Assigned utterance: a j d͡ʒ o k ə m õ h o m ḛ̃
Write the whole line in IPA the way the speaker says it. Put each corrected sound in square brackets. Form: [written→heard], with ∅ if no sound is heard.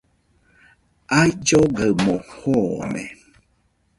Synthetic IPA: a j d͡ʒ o [k→ɡ] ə m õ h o m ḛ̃